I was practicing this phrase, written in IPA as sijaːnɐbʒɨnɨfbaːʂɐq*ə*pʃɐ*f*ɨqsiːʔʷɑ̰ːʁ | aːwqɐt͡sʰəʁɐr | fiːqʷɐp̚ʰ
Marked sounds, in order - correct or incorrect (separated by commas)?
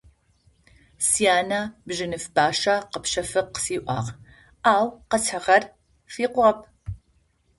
correct, correct